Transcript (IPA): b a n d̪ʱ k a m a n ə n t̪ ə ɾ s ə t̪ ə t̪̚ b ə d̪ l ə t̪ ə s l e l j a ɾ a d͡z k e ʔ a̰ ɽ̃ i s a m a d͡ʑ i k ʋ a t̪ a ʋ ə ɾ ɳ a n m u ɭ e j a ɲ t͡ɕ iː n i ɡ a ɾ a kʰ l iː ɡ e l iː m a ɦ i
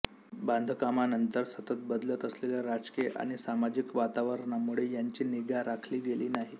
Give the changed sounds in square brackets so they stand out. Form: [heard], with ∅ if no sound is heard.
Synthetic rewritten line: b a n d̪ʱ k a m a n ə n t̪ ə ɾ s ə t̪ ə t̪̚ b ə d̪ l ə t̪ ə s l e l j a ɾ a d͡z k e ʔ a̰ ɽ̃ i s a m a d͡ʑ i k ʋ a t̪ a ʋ ə ɾ ɳ a [∅] m u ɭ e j a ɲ t͡ɕ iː n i ɡ a ɾ a kʰ l iː ɡ e l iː [n] a ɦ i